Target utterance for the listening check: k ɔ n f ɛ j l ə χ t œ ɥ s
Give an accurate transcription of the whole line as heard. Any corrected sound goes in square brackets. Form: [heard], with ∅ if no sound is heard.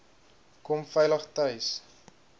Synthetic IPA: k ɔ [m] f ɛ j l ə χ t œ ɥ s